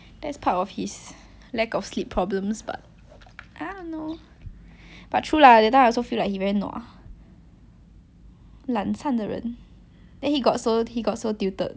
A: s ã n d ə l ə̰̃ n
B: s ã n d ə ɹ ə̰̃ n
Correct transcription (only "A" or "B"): B